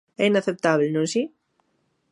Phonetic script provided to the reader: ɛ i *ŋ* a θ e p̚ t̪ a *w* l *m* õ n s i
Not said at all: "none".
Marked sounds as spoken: n, β, n

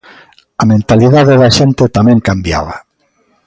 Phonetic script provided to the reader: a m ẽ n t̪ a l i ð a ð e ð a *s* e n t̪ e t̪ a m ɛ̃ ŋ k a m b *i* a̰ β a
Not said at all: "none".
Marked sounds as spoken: ʃ, j

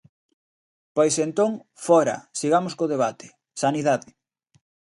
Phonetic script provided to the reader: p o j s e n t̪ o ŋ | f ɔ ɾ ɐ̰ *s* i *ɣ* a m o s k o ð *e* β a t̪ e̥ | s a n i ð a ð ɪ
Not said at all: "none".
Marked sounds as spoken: s, ɣ, e

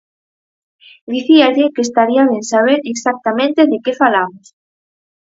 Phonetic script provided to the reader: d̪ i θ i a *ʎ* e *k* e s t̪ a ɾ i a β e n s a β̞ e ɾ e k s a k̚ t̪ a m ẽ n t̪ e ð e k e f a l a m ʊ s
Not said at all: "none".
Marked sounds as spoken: ʎ, k

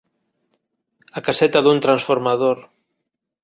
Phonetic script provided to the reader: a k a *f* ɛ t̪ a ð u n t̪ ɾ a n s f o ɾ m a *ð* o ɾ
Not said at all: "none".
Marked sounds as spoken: s, ð

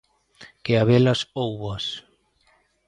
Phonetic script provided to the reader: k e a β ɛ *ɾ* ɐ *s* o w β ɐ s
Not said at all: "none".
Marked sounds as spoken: l, s

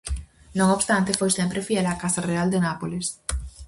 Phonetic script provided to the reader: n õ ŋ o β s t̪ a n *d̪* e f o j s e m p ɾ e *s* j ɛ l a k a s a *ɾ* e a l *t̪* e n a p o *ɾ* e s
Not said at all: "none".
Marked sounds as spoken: t̪, f, r, d̪, l

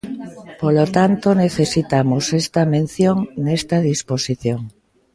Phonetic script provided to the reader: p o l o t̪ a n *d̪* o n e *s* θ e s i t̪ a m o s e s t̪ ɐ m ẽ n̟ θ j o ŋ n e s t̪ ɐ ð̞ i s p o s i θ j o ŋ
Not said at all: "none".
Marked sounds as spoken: t̪, none

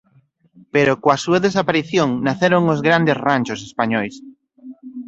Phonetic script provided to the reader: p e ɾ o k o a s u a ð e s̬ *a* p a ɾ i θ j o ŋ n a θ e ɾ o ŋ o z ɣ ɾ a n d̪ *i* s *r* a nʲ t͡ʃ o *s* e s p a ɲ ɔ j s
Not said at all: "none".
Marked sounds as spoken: a, e, r, s

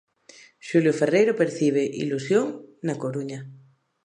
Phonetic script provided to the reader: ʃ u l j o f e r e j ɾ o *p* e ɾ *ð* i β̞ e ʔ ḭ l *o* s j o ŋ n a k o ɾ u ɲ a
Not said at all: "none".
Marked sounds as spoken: p, θ, u

